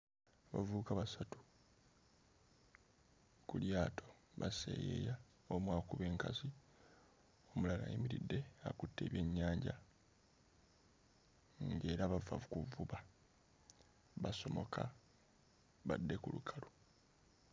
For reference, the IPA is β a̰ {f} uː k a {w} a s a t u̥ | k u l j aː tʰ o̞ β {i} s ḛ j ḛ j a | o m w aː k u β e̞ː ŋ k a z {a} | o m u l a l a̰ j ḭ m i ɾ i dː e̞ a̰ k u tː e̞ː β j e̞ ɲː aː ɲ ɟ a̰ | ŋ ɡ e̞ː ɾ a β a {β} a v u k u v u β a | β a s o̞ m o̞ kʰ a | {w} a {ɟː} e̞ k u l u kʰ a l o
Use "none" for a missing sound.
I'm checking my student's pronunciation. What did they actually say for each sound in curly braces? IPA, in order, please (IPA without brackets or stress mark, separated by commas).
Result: v, β, a, i, v, β, dː